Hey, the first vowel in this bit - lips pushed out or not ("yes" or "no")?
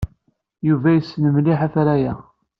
yes